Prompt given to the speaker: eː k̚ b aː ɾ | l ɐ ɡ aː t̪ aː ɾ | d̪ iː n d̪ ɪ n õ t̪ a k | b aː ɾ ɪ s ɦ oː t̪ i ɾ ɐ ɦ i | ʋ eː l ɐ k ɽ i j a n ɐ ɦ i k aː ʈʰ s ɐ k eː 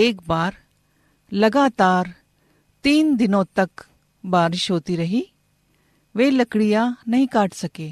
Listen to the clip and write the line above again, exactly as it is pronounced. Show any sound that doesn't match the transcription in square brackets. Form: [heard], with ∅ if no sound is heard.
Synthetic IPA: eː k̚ b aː ɾ | l ɐ ɡ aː t̪ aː ɾ | [t̪] iː n d̪ ɪ n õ t̪ [ɐ] k | b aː ɾ ɪ [ʃ] ɦ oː t̪ i ɾ ɐ ɦ i | ʋ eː l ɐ k ɽ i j a n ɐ ɦ [ĩ] k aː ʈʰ s ɐ k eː